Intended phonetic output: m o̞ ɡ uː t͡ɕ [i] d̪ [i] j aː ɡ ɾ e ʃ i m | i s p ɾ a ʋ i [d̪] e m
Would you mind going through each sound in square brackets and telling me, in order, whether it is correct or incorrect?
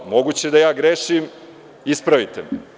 incorrect: e, incorrect: a, incorrect: t̪

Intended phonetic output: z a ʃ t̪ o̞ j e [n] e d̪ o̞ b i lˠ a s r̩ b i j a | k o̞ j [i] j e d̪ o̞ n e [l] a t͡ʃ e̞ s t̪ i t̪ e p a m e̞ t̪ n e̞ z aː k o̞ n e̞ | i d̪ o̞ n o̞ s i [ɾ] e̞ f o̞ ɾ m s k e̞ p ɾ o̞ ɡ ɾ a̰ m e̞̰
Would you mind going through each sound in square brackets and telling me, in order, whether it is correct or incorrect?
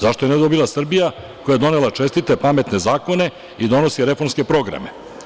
correct, incorrect: a, correct, correct

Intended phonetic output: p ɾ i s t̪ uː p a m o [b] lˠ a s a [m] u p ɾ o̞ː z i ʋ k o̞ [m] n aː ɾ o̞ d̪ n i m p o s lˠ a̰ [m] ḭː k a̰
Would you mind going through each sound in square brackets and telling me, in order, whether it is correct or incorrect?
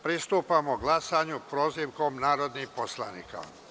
incorrect: ɡ, incorrect: ɲ, correct, incorrect: n

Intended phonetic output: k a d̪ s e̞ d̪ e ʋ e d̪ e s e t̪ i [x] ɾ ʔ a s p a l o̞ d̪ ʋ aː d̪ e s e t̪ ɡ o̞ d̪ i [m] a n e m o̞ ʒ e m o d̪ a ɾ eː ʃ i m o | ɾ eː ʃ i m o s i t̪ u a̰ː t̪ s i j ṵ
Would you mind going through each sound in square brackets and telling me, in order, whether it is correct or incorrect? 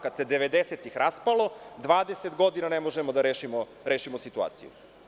correct, incorrect: n

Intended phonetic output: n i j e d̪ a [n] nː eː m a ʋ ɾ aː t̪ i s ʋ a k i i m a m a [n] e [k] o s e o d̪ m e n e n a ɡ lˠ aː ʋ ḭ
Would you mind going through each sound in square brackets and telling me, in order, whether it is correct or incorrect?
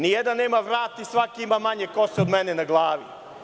correct, incorrect: ɲ, correct

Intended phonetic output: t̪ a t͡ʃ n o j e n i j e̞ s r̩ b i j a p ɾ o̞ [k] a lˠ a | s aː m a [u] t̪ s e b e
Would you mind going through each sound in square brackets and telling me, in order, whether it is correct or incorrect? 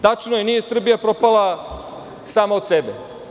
incorrect: p, incorrect: o

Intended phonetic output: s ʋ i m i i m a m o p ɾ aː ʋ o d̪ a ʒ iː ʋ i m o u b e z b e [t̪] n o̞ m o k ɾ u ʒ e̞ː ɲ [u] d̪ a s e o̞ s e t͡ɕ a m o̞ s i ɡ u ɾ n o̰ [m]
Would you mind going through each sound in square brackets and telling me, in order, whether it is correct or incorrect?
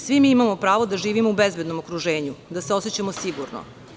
incorrect: d̪, correct, incorrect: none

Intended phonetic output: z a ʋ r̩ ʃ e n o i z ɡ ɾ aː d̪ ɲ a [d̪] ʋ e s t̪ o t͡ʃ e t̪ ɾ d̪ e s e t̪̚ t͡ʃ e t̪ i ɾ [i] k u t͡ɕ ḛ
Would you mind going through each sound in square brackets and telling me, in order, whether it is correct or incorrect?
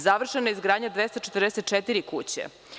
correct, correct

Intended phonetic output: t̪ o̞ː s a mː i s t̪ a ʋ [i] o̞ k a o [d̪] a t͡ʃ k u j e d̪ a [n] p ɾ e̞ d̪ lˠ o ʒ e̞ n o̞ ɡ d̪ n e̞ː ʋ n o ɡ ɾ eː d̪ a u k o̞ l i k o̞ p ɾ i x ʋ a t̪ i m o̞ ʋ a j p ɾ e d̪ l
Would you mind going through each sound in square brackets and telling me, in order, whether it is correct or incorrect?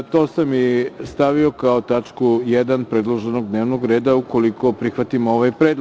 correct, incorrect: t̪, correct

